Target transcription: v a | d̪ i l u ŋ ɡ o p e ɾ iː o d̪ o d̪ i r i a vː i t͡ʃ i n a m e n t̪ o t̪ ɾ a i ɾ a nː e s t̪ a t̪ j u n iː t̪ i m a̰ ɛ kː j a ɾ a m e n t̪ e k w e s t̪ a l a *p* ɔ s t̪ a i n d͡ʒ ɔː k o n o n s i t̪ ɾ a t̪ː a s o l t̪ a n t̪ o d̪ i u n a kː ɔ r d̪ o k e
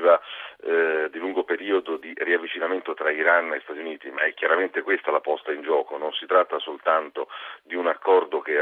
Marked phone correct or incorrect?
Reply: correct